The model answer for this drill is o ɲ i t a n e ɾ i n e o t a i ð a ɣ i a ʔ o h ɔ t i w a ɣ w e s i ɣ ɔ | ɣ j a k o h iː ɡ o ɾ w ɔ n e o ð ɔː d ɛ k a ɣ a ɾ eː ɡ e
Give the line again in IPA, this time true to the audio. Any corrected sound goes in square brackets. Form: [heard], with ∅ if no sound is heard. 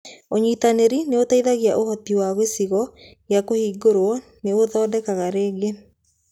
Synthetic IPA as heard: o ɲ i t a n e ɾ i n e o t a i ð a ɣ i a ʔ o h ɔ t i w a ɣ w e s i ɣ ɔ | ɣ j a k o h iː ɡ o ɾ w ɔ n e o ð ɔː d ɛ k a ɣ a ɾ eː ɡ e